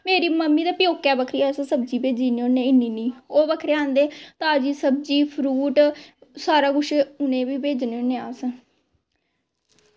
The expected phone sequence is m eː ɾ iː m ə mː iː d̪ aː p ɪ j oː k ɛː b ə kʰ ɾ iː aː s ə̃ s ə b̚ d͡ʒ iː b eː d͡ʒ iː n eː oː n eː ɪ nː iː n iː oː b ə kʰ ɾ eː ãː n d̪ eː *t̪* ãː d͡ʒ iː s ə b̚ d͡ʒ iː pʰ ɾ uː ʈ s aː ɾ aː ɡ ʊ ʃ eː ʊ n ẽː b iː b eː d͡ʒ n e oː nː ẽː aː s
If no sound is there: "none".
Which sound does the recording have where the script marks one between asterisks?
t̪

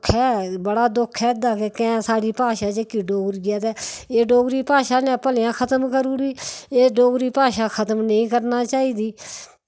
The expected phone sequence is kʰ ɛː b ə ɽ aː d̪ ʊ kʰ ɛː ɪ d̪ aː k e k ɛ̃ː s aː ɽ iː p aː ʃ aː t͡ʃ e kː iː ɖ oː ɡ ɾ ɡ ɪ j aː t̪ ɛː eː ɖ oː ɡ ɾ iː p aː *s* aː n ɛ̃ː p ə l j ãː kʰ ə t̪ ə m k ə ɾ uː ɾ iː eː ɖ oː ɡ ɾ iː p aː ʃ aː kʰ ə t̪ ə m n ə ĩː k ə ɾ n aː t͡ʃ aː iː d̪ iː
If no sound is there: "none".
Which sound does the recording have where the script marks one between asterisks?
ʃ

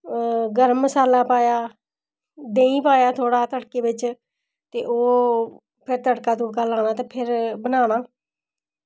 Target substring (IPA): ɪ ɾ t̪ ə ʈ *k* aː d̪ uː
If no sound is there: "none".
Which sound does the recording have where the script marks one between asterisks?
k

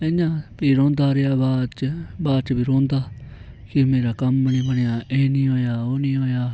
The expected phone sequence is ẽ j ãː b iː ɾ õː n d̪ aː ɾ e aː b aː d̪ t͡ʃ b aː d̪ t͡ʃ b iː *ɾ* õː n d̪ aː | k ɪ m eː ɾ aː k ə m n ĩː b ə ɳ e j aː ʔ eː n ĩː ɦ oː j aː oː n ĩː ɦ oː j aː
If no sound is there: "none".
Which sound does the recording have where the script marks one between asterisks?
ɾ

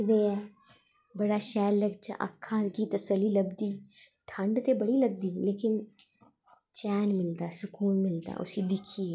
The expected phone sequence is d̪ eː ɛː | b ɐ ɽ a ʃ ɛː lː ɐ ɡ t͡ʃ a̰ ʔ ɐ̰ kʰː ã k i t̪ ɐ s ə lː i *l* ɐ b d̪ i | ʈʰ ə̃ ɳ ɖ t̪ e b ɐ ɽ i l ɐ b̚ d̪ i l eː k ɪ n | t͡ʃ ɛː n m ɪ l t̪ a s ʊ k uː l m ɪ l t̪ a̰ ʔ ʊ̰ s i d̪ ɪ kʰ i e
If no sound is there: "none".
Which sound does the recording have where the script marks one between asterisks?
l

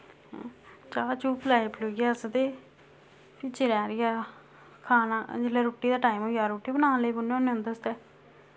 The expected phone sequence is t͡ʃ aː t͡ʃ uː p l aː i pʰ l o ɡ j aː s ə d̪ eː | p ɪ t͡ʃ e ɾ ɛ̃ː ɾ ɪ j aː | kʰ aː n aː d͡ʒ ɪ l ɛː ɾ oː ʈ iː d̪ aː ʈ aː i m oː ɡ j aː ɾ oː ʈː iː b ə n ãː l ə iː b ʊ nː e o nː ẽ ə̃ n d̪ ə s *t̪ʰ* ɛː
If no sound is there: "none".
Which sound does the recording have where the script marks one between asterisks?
t̪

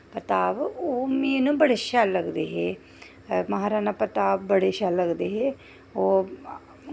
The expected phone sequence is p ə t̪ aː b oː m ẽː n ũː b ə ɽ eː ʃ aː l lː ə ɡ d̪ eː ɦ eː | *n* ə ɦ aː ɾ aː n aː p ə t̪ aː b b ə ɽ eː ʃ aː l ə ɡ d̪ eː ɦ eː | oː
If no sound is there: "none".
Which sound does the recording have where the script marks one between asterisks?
m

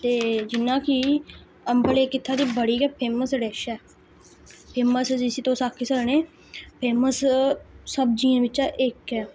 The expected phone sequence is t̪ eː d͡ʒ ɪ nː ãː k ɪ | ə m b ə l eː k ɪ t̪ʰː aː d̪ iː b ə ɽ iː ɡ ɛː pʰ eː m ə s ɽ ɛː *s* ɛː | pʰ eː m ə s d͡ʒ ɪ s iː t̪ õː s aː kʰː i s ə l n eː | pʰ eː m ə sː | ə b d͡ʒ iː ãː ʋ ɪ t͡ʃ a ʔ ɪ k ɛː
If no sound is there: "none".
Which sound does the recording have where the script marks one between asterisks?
ʃ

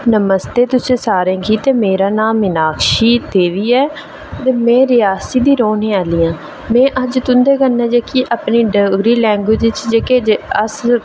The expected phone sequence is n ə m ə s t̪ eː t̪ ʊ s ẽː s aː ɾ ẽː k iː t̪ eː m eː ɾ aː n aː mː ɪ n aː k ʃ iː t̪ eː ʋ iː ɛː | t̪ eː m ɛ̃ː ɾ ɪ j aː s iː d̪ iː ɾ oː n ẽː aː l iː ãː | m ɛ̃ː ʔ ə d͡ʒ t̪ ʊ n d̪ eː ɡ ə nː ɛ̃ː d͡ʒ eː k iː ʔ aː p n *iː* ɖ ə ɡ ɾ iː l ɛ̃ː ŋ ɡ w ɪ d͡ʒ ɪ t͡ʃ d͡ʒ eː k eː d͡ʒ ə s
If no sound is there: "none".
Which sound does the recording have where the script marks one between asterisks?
iː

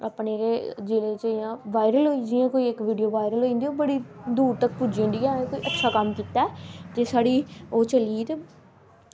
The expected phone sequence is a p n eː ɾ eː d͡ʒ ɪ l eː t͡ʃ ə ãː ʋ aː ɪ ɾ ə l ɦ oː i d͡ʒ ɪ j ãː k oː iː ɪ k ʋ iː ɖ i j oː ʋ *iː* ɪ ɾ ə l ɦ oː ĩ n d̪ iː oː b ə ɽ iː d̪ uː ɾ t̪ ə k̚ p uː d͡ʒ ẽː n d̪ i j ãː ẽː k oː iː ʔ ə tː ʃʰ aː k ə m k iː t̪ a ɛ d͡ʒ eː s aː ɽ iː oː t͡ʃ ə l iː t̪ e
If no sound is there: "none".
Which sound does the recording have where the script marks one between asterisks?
aː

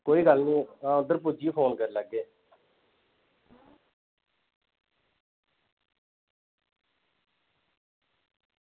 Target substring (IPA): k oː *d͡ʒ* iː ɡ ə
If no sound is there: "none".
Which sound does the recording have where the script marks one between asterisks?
none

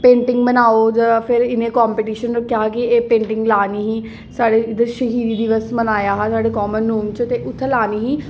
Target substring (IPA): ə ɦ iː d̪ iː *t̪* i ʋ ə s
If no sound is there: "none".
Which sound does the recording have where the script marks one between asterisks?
d̪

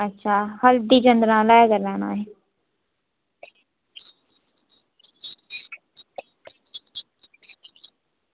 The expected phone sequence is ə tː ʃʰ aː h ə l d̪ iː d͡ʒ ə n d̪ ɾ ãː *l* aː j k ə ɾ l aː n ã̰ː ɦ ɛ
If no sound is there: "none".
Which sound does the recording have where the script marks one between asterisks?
l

